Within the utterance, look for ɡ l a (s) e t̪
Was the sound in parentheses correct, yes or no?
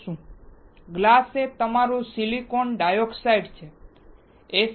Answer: yes